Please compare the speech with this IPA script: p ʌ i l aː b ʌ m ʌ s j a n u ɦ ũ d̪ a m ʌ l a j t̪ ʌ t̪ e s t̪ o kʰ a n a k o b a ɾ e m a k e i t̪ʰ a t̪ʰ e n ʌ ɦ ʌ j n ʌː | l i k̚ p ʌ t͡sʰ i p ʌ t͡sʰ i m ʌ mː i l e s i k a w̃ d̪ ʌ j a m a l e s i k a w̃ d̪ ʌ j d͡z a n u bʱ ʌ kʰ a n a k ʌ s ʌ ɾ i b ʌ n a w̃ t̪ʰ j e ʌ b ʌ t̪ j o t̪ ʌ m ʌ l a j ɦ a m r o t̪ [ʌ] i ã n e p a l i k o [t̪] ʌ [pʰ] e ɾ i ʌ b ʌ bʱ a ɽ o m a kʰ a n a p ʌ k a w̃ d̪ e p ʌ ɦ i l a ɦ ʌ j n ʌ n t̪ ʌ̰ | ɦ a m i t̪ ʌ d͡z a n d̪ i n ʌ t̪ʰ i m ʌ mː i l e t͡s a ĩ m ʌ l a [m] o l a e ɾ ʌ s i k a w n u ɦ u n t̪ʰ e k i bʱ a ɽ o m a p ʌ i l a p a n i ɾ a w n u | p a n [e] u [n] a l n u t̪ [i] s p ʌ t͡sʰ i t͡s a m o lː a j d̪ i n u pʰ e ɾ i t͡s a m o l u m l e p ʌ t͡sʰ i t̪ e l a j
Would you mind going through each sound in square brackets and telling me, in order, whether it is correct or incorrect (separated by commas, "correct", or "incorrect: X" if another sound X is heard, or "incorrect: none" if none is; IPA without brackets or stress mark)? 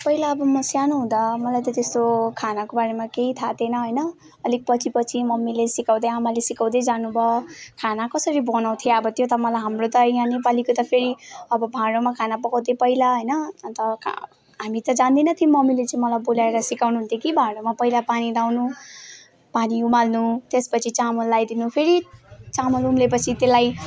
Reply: correct, correct, correct, incorrect: b, incorrect: i, incorrect: m, incorrect: e